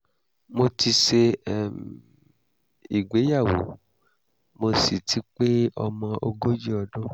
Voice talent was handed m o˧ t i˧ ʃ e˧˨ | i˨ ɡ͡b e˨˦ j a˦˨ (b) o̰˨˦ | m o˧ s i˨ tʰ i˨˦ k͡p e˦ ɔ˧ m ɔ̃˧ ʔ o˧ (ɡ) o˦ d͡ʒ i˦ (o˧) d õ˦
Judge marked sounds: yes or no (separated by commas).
no, yes, no